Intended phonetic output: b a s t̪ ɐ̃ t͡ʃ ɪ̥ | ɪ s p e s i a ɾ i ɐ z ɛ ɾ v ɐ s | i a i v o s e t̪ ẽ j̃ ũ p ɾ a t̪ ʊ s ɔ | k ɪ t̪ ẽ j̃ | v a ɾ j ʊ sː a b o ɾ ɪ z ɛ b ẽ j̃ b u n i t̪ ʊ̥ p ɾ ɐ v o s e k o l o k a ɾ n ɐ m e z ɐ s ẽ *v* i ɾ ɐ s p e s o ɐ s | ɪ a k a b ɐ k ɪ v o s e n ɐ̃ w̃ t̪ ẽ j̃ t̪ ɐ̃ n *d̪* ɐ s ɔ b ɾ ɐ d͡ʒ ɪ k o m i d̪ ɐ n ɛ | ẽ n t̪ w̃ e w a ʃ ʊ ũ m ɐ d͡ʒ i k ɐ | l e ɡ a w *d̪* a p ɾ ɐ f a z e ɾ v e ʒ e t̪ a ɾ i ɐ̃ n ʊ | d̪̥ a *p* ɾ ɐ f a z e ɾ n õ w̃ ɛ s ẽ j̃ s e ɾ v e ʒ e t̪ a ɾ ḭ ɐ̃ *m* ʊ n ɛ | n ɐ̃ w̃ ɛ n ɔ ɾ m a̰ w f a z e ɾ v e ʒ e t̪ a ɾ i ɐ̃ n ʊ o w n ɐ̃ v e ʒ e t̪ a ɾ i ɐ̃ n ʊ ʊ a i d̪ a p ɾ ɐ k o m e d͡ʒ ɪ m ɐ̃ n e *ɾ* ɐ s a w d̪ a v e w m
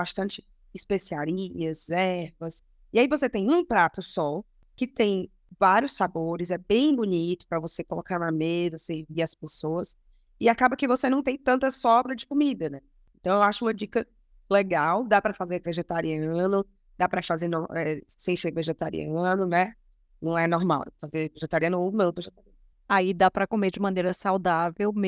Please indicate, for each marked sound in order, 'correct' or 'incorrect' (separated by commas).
correct, incorrect, correct, correct, incorrect, correct